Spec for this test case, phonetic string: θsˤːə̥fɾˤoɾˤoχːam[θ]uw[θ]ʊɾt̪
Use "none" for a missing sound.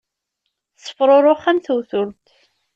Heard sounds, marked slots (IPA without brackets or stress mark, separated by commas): θ, θ